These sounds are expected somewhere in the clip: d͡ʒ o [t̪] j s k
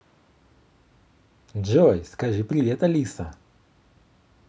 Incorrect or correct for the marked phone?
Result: incorrect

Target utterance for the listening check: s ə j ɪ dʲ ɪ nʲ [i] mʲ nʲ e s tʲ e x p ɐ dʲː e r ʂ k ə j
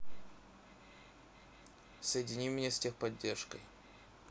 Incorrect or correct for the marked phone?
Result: correct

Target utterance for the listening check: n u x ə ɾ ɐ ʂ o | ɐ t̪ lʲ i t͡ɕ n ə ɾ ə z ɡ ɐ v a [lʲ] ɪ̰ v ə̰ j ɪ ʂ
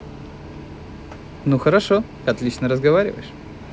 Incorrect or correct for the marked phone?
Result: incorrect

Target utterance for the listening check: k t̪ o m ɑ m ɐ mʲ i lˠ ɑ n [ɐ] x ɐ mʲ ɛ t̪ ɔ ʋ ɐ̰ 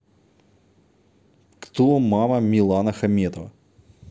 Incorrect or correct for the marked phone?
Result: correct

